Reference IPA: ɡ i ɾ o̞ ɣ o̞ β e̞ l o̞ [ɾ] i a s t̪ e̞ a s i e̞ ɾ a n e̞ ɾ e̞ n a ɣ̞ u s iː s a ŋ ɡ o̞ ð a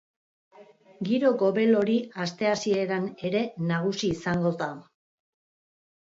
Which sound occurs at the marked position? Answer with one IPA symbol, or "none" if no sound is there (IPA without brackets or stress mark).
ɾ